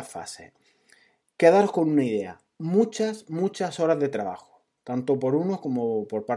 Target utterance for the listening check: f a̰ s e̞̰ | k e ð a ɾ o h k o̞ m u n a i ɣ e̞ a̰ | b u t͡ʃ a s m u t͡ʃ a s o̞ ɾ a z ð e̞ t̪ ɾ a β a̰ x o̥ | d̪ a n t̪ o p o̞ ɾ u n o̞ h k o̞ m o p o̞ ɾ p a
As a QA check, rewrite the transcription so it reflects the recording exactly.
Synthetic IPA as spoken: f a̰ s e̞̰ | k e ð a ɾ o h k o̞ n u n a i ð e̞ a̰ | m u t͡ʃ a s m u t͡ʃ a s o̞ ɾ a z ð e̞ t̪ ɾ a β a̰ x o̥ | t̪ a n t̪ o p o̞ ɾ u n o̞ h k o̞ m o p o̞ ɾ p a